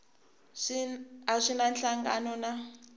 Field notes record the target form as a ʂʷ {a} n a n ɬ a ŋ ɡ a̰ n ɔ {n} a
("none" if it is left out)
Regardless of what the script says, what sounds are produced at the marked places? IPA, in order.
i, n

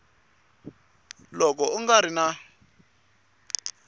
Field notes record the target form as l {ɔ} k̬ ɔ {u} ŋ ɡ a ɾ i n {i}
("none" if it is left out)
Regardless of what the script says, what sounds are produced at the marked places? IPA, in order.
ɔ, u, a

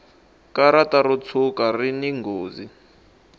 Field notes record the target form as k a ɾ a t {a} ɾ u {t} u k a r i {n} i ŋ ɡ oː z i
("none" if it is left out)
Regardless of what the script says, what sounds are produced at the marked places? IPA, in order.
a, t͡sʰ, n

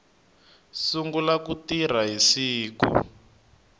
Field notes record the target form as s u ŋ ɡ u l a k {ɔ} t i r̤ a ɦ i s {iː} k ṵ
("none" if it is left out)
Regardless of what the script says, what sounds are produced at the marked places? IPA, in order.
u, iː

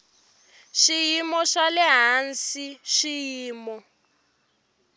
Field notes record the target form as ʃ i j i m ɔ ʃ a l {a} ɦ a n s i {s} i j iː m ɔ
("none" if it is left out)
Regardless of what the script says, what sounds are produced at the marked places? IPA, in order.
ɛ, ʃ

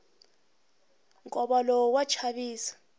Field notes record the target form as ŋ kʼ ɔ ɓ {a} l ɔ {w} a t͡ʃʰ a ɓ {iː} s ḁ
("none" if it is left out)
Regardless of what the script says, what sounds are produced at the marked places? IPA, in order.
a, w, iː

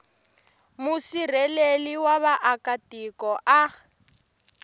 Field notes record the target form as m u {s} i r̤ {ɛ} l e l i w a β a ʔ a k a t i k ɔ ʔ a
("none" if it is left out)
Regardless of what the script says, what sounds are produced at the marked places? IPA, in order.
s, ɛ

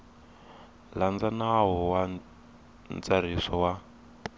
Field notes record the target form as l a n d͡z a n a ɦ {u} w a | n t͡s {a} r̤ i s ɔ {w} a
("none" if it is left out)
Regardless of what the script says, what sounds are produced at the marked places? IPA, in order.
ɔ, a, w

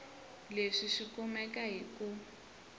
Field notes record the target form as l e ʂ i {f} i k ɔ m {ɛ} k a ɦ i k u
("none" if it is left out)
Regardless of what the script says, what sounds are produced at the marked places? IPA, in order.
ʂ, ɛ

